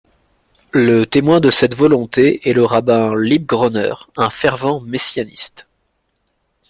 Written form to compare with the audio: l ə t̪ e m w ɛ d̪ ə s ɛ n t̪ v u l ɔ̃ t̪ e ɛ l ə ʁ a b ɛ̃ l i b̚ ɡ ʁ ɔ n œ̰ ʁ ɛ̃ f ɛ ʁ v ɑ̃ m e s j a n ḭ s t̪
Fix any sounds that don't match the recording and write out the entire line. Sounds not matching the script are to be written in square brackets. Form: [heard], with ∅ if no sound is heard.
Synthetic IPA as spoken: l ə t̪ e m w [ɛ̃] d̪ ə s ɛ [∅] t̪ v [ɔ] l ɔ̃ t̪ e ɛ l ə ʁ a b ɛ̃ l i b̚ ɡ ʁ ɔ n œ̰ ʁ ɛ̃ f ɛ ʁ v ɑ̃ m e s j a n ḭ s t̪